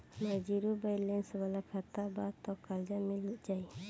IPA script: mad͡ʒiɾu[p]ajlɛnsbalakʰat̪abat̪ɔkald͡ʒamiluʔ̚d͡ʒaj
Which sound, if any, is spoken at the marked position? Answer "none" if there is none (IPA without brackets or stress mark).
b